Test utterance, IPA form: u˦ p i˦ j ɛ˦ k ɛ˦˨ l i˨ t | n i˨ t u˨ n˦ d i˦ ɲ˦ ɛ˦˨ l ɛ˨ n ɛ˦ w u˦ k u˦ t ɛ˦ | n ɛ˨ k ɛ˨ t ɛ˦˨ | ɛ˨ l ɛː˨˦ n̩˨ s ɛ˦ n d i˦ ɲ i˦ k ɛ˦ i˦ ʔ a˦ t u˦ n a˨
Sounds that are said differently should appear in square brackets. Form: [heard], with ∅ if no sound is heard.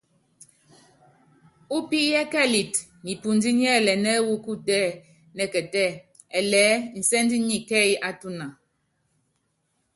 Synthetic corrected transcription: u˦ p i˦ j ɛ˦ k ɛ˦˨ l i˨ t | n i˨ [p] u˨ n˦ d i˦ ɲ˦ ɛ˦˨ l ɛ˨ n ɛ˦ w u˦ k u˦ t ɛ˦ | n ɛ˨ k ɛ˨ t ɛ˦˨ | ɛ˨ l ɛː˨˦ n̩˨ s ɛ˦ n d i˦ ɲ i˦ k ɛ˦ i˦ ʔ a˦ t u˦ n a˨